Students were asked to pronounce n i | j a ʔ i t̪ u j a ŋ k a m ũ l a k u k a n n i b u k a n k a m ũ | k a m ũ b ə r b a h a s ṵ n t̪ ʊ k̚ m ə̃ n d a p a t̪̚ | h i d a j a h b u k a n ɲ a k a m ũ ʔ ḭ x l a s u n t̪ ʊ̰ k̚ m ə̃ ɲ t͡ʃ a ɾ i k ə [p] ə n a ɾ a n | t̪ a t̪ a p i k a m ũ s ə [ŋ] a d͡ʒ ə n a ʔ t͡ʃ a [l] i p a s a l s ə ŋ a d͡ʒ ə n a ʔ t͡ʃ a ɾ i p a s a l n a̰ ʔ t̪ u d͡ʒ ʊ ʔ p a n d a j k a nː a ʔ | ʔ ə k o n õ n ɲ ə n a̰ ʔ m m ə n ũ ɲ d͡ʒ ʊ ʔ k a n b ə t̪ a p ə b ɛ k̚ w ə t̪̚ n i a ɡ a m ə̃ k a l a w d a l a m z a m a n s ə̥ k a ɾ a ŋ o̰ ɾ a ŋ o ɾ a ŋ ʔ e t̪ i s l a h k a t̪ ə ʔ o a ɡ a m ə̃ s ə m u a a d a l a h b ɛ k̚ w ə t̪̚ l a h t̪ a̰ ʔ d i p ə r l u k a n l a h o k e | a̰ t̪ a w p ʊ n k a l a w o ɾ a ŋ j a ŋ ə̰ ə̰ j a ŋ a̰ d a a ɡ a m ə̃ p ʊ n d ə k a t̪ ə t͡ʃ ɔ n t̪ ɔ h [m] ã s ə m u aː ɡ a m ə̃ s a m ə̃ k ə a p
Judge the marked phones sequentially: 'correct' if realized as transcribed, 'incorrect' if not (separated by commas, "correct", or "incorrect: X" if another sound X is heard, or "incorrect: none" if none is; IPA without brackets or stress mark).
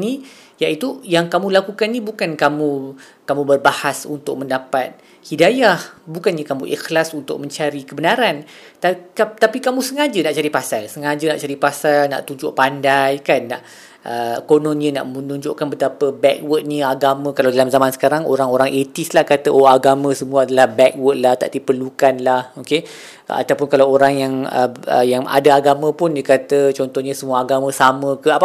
incorrect: b, correct, incorrect: ɾ, incorrect: ɲ